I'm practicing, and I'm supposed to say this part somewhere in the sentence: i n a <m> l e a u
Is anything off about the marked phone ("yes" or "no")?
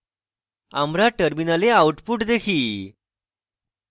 yes